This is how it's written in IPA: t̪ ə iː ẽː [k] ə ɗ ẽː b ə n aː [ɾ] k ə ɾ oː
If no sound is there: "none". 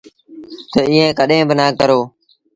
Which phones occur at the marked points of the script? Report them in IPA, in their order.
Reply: k, none

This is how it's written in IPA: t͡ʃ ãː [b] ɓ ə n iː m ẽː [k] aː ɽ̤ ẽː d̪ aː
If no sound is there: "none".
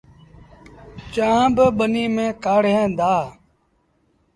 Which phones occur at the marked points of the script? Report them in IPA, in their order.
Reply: b, k

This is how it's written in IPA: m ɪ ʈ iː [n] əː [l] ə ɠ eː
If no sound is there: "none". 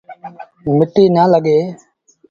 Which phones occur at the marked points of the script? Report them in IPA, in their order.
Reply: n, l

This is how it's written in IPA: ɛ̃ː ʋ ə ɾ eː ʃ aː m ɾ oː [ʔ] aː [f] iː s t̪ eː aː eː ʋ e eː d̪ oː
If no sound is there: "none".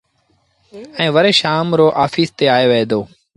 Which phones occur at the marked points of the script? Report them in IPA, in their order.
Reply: ʔ, f

